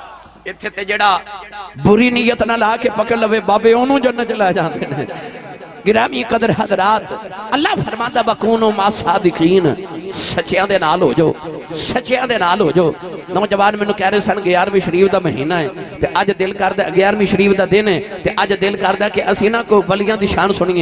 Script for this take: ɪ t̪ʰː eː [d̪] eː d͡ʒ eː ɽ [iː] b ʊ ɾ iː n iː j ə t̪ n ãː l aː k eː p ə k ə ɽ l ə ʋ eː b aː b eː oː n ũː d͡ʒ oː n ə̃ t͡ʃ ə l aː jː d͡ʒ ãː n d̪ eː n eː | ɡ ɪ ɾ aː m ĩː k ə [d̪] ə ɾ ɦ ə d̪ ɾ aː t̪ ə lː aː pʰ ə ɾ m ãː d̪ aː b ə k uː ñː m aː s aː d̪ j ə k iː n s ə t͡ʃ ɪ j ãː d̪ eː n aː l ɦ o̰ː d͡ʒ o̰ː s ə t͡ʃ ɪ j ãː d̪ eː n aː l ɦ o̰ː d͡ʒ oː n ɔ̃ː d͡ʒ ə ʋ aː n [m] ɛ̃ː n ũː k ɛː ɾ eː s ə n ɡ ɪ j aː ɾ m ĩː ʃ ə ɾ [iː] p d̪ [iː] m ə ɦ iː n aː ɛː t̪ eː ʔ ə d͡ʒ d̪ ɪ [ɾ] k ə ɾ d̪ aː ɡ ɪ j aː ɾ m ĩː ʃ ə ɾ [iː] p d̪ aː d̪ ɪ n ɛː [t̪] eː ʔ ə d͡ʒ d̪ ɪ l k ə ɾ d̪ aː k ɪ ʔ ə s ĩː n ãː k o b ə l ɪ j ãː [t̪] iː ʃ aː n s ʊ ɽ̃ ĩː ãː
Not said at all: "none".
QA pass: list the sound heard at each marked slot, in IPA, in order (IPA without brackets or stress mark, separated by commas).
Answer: t̪, aː, d̪, m, iː, aː, l, iː, t̪, d̪